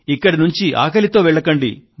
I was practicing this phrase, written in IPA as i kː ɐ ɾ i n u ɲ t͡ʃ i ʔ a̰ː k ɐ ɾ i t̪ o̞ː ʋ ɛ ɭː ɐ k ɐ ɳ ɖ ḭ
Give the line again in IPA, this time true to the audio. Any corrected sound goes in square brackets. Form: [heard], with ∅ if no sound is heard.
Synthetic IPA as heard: i kː ɐ [ɽ] i n u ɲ t͡ʃ i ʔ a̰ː k ɐ [l] i t̪ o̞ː ʋ ɛ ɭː ɐ k ɐ ɳ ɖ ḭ